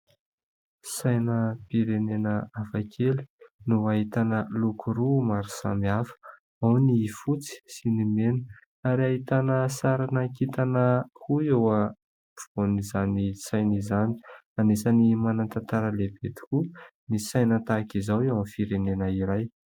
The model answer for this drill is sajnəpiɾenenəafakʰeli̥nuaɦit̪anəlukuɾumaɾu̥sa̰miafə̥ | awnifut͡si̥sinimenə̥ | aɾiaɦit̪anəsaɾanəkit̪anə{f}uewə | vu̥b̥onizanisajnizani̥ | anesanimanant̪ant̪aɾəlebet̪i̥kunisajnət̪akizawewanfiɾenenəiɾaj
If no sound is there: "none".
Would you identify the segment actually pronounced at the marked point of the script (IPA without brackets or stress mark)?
h